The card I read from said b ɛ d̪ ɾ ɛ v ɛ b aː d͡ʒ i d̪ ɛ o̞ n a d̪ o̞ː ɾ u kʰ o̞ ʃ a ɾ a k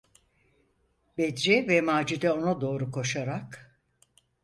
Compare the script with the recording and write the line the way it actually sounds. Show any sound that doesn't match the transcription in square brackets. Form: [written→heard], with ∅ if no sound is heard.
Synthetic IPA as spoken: b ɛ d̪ ɾ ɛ v ɛ [b→m] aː d͡ʒ i d̪ ɛ o̞ n a d̪ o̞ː ɾ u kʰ o̞ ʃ a ɾ a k